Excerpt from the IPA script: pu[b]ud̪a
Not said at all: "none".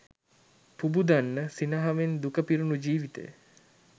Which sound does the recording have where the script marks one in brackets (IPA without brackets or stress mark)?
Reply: b